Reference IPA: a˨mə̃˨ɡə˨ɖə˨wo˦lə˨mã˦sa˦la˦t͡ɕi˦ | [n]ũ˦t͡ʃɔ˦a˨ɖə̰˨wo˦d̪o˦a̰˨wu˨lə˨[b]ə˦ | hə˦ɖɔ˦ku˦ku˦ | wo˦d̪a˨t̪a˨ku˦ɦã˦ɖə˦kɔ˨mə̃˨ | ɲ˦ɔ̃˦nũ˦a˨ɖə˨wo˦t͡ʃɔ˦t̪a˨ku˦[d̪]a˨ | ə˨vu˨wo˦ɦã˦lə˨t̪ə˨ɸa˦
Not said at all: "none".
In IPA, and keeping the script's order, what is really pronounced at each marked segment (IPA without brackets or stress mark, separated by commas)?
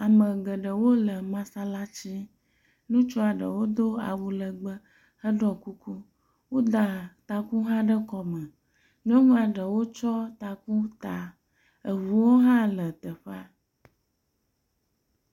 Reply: n, ɡ͡b, t̪